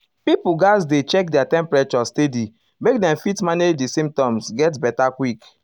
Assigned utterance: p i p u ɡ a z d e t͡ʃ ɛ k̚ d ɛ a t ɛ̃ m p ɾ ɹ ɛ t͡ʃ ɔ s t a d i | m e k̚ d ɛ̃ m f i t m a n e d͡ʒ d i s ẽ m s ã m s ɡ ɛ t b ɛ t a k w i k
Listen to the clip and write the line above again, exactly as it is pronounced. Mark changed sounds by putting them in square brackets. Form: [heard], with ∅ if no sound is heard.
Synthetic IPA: p i p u ɡ a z d e t͡ʃ ɛ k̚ d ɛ a t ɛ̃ m p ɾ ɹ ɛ t͡ʃ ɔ s t [e] d i | m e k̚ d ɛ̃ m f i t m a n e d͡ʒ d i s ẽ m [t] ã m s ɡ ɛ t b ɛ t a k w i k